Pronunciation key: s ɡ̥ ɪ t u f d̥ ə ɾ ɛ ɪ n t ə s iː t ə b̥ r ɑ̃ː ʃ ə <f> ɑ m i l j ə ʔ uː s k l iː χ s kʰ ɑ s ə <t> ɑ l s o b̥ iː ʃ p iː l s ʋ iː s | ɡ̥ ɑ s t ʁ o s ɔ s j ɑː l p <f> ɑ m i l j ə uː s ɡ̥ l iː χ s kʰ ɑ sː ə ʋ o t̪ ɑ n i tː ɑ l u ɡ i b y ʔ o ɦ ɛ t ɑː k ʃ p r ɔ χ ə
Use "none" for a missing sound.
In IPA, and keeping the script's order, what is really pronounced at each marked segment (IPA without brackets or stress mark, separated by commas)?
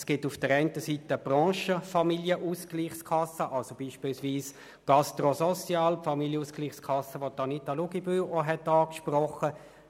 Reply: f, ʔ, f